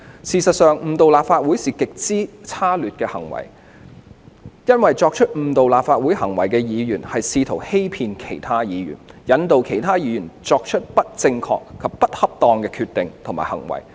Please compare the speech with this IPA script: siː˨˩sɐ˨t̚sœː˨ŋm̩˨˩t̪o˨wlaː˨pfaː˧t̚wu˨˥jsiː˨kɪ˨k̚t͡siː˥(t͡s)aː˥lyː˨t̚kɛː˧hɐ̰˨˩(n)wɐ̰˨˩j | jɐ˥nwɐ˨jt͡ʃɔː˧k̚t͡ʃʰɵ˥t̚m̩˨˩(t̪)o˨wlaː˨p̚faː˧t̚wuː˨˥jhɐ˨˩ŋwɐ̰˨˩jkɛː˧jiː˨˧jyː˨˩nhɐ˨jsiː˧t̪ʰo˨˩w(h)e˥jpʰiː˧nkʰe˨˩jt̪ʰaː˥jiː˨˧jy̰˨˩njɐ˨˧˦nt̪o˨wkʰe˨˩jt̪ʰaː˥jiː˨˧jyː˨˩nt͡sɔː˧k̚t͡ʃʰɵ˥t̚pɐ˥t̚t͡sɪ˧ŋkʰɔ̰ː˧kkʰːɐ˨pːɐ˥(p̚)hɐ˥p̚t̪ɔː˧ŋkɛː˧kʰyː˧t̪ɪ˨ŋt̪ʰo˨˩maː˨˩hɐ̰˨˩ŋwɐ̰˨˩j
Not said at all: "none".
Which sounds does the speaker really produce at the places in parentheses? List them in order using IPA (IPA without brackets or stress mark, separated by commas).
t͡sʰ, ŋ, t̪, h, t̚